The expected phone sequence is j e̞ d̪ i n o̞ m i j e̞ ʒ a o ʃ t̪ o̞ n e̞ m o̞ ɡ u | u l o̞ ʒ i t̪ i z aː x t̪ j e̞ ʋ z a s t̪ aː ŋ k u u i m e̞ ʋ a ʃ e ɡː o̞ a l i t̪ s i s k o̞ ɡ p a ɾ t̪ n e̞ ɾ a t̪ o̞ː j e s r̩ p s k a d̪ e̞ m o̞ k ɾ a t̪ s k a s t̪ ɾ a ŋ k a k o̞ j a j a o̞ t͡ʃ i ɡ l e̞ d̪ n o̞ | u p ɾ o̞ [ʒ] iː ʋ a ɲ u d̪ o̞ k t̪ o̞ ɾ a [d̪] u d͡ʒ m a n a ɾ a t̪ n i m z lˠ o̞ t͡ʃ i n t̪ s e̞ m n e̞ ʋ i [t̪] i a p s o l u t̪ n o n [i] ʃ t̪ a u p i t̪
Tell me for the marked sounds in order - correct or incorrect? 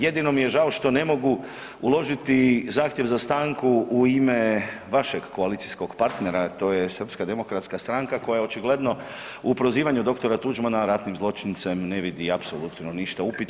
incorrect: z, incorrect: t̪, incorrect: d̪, correct

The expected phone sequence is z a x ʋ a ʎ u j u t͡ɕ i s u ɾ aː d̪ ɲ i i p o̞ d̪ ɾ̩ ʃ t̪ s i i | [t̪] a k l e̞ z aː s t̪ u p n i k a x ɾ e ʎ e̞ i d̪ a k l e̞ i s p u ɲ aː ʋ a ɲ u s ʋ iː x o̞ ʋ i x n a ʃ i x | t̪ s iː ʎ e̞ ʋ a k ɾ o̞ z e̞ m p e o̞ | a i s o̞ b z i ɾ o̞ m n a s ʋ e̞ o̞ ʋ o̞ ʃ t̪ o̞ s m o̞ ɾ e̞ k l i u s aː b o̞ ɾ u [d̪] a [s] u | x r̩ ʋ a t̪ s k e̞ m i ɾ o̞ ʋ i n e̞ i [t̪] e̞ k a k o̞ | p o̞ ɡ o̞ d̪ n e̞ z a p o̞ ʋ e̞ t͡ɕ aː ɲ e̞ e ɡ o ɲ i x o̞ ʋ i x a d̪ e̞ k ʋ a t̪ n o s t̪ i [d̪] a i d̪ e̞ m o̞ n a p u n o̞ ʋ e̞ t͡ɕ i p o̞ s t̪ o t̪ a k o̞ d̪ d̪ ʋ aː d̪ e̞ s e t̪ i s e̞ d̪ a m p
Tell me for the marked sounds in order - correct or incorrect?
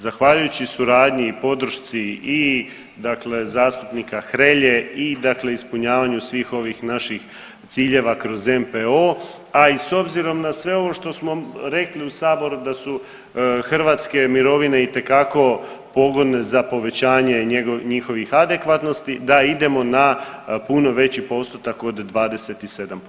incorrect: d̪, correct, correct, correct, correct

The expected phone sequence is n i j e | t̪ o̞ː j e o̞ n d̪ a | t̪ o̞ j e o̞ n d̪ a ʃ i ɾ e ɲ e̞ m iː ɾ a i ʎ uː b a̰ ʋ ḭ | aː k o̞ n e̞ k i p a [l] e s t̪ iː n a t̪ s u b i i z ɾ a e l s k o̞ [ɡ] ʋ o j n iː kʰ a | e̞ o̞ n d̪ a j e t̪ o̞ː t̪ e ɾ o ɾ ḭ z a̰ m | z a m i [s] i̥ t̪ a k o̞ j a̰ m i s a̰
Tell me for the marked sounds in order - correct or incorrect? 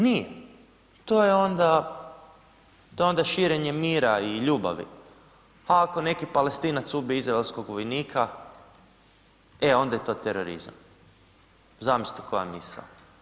correct, correct, correct

